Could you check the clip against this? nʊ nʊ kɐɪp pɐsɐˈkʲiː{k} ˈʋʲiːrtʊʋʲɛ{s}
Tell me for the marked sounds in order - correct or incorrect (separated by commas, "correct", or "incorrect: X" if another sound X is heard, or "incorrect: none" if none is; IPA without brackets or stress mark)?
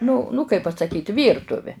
incorrect: t, incorrect: none